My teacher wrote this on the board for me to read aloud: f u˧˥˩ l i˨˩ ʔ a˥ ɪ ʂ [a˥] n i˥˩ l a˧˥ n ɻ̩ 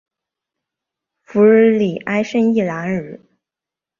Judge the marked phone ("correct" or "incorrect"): incorrect